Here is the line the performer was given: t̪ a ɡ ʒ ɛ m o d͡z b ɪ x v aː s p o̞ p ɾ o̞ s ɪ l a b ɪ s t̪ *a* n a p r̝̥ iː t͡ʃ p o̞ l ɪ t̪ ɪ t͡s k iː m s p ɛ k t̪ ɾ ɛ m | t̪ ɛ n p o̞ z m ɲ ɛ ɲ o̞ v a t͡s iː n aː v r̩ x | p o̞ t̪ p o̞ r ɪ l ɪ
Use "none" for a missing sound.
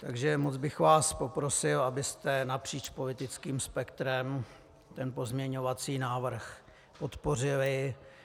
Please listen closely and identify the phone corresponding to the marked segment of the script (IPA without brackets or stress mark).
ɛ